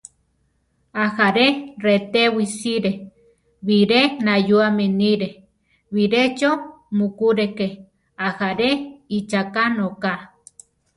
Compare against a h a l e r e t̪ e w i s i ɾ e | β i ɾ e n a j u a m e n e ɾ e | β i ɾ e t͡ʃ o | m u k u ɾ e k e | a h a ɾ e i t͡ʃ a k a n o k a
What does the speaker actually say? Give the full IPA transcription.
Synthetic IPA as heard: a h a ɾ e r e t̪ e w i s i ɾ e | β i ɾ e n a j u a m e n i ɾ e | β i ɾ e t͡ʃ o | m u k u ɾ e k e | a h a ɾ e i t͡ʃ a k a n o k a